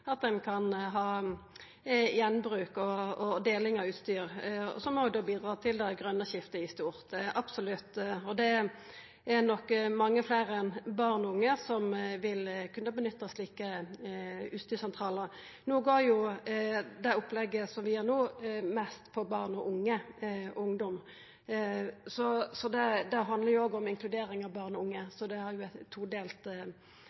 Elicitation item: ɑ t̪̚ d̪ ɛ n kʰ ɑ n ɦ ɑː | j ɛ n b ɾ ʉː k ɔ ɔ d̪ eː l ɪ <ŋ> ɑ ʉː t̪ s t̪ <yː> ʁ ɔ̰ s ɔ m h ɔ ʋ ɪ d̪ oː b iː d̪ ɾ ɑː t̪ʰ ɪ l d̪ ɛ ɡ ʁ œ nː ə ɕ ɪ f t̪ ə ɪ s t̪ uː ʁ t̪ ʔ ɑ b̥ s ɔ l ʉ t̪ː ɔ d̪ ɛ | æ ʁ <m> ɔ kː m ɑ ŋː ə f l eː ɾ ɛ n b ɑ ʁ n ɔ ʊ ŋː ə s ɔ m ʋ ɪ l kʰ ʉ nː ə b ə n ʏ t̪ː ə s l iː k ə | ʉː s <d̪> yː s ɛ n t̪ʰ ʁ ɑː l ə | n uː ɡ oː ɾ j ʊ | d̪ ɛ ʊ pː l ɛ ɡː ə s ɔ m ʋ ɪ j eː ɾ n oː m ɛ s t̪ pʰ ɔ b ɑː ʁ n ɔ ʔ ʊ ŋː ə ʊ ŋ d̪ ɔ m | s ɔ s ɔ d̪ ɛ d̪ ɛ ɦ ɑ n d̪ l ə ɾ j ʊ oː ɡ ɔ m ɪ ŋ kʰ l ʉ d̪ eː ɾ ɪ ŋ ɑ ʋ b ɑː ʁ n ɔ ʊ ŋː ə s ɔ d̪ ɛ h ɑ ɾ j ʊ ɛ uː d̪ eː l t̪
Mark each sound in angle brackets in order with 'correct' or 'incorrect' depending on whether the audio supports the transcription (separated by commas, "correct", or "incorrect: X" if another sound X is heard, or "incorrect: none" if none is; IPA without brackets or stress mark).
correct, correct, incorrect: n, incorrect: t̪